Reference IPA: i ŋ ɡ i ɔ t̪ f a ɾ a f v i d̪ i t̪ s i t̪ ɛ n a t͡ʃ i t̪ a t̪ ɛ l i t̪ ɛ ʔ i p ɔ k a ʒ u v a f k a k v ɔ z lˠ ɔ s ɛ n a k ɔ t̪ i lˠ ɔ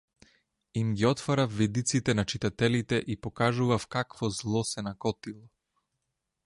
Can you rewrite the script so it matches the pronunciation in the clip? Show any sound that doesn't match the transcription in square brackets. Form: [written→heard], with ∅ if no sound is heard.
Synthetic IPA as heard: i [ŋ→m] ɡ i ɔ t̪ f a ɾ a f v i d̪ i t̪ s i t̪ ɛ n a t͡ʃ i t̪ a t̪ ɛ l i t̪ ɛ ʔ i p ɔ k a ʒ u v a f k a k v ɔ z lˠ ɔ s ɛ n a k ɔ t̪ i lˠ ɔ